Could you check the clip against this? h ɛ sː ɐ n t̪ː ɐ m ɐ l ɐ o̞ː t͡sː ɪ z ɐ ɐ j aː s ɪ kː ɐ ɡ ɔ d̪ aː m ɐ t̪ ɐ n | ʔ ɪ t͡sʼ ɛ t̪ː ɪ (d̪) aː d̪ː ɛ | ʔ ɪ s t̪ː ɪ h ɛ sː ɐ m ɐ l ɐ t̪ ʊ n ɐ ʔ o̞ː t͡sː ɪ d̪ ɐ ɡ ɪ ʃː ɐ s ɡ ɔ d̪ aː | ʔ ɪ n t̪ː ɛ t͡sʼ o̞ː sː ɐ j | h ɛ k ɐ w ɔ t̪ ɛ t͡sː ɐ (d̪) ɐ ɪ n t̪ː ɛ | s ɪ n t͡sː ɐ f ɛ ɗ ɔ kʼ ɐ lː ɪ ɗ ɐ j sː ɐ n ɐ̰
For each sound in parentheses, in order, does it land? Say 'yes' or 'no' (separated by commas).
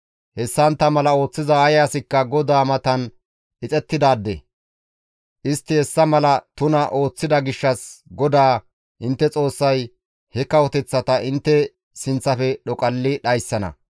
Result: yes, no